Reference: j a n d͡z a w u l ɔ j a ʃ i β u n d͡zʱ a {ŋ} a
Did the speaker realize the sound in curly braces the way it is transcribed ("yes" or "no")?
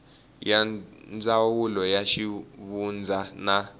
no